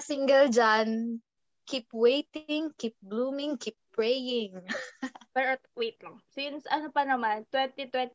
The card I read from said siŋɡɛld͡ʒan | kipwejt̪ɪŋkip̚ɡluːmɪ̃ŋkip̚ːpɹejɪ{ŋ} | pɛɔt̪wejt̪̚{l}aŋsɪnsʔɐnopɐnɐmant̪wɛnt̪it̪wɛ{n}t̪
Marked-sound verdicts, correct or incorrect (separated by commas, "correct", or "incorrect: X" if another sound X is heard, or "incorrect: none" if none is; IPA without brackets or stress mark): correct, correct, correct